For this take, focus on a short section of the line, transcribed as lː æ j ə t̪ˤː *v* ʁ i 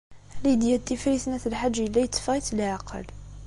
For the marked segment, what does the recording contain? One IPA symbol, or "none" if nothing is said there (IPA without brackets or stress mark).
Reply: f